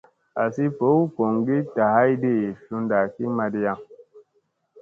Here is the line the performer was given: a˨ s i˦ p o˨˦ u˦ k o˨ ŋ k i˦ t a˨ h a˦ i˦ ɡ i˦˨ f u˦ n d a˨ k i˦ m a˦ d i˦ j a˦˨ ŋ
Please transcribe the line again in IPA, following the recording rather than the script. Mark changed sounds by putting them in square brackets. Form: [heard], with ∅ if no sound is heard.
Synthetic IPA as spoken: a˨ s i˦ p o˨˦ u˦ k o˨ ŋ [ɡ] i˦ t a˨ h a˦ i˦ [d] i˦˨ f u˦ n d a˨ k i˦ m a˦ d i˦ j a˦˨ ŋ